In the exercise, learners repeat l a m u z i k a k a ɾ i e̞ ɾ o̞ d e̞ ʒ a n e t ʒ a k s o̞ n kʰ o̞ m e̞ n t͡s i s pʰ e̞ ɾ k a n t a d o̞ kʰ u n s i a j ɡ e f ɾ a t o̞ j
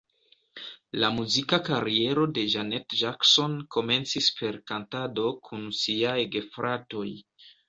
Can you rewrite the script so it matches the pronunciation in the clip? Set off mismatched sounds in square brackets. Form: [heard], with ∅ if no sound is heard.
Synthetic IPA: l a m u z i k a k a ɾ i e̞ ɾ o̞ d e̞ ʒ a n e t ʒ a k s o̞ n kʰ o̞ m e̞ n t͡s i s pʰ e̞ ɾ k a n t a d o̞ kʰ u n s i a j ɡ e f ɾ a t o̞ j